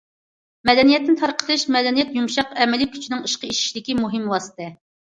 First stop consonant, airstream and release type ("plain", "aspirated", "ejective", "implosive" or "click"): plain